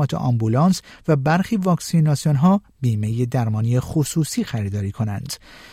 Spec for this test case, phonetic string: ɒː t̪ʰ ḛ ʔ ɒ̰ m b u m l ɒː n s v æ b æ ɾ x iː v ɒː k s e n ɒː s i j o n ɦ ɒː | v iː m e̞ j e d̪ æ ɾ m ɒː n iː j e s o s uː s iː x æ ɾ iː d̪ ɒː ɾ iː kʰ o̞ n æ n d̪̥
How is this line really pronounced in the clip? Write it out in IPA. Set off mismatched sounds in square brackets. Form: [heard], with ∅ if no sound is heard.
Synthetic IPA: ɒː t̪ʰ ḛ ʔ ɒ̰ m b u [∅] l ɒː n s v æ b æ ɾ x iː v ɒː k s [i] n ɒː s i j o n ɦ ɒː | [b] iː m e̞ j e d̪ æ ɾ m ɒː n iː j e [x] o s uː s iː x æ ɾ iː d̪ ɒː ɾ iː kʰ o̞ n æ n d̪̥